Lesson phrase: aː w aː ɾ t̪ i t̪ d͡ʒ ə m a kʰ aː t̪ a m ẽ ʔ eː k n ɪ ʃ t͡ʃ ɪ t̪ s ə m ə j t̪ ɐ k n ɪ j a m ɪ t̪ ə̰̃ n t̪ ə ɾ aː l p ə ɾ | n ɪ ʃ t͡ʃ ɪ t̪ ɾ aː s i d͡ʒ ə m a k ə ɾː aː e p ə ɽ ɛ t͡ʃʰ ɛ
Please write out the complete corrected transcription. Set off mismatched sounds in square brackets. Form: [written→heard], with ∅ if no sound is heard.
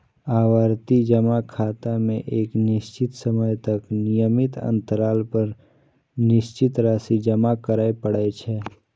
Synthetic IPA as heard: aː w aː ɾ t̪ i [t̪→∅] d͡ʒ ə m a kʰ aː t̪ a m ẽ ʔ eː k n ɪ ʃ t͡ʃ ɪ t̪ s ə m ə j t̪ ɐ k n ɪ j [a→ə] m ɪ t̪ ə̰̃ n t̪ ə ɾ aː l p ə ɾ | n ɪ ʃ t͡ʃ ɪ t̪ ɾ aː s i d͡ʒ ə m a k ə [ɾː→ɾ] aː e p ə ɽ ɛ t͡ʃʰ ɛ